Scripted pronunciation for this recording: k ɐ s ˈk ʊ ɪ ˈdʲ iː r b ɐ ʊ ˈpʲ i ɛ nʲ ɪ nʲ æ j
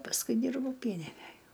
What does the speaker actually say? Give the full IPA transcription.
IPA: p ɐ s ˈk ʊ ɪ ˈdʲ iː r b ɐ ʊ ˈpʲ i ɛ nʲ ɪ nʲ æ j